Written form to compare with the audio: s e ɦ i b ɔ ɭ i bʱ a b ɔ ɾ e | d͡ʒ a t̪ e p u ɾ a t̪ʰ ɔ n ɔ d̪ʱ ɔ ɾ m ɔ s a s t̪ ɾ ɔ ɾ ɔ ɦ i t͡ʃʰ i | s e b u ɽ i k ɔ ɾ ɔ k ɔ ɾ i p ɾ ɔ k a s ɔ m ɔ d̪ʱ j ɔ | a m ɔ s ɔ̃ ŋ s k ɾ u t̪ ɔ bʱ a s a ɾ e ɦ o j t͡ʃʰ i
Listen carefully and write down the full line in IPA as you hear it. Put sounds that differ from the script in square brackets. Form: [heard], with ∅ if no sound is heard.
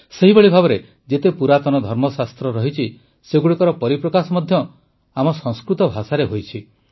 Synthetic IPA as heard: s e ɦ i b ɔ ɭ i bʱ a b ɔ ɾ e | d͡ʒ [e] t̪ e p u ɾ a [t̪] ɔ n ɔ d̪ʱ ɔ ɾ m ɔ s a s t̪ ɾ ɔ ɾ ɔ ɦ i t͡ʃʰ i | s e [ɡ] u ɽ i k ɔ ɾ ɔ [p] ɔ ɾ i p ɾ ɔ k a s ɔ m ɔ d̪ʱ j ɔ | a m ɔ s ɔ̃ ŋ s k ɾ u t̪ ɔ bʱ a s a ɾ e ɦ o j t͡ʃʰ i